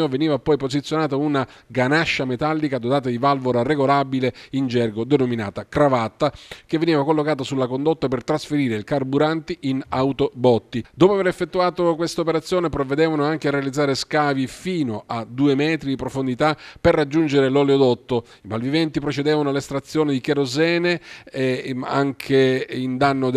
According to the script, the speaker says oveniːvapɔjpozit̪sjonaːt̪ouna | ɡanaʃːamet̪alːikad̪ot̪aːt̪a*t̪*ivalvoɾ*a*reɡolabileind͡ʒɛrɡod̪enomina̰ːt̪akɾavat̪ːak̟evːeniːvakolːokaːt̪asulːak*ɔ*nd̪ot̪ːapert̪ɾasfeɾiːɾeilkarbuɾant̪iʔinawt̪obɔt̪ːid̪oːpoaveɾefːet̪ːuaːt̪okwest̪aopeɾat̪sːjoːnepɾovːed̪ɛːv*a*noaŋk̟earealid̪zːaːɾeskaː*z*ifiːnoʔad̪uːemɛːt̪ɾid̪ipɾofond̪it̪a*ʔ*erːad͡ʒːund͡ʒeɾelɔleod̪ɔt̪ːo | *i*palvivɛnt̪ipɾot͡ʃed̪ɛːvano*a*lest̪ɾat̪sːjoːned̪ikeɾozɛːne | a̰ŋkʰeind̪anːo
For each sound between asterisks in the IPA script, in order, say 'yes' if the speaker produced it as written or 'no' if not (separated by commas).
no, yes, no, yes, no, no, yes, yes